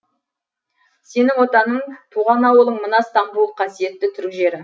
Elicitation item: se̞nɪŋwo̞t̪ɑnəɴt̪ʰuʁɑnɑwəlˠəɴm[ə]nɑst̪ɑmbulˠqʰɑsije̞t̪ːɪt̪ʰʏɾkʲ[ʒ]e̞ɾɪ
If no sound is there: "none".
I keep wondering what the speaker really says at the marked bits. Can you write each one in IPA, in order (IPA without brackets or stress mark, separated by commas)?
ə, ʒ